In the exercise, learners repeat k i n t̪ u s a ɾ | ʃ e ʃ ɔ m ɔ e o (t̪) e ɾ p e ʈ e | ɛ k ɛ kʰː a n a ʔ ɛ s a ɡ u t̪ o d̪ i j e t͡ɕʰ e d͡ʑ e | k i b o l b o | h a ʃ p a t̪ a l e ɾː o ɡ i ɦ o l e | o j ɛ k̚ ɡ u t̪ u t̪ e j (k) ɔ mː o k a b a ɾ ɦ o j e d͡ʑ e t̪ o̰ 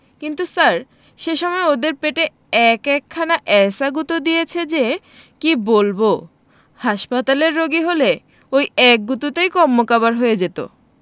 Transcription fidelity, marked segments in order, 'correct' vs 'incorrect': incorrect: d̪, correct

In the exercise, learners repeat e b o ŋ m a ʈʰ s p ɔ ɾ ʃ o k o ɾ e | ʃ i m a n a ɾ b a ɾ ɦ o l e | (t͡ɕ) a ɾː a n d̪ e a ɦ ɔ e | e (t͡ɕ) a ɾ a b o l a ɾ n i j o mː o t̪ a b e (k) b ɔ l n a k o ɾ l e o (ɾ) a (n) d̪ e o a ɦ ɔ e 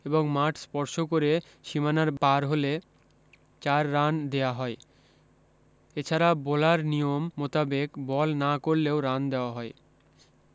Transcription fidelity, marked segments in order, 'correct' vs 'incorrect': correct, incorrect: t͡ɕʰ, correct, correct, correct

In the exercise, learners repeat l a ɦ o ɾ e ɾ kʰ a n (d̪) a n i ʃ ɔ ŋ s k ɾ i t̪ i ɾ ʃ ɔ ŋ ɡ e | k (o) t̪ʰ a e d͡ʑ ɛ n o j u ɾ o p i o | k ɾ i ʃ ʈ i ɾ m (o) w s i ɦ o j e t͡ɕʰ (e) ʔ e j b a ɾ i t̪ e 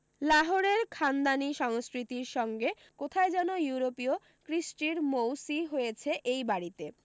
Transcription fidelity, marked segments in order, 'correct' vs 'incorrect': correct, correct, correct, correct

